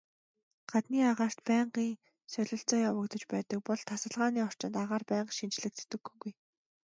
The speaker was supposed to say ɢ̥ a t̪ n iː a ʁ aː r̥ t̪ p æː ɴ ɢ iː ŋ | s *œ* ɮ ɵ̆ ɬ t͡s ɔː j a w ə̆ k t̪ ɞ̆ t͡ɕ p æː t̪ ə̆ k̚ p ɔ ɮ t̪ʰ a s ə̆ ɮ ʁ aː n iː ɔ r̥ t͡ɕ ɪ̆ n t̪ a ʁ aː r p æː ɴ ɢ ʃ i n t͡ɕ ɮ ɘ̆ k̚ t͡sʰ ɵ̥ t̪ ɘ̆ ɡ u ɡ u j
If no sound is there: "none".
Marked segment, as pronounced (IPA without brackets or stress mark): œ